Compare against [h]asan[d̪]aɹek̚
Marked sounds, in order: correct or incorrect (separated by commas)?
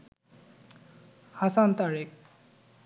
correct, incorrect